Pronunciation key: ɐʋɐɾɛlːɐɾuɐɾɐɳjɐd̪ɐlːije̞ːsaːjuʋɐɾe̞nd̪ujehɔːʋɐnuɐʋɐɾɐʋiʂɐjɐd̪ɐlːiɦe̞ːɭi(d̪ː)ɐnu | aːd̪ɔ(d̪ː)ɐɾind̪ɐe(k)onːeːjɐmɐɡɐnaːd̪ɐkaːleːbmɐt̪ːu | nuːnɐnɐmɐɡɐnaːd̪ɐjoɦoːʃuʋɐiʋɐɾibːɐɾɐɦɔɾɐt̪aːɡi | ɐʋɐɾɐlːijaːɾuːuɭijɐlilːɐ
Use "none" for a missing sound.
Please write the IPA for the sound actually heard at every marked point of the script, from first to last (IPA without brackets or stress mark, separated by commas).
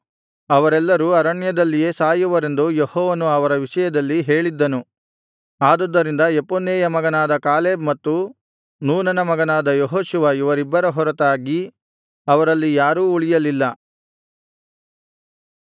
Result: d̪ː, d̪ː, p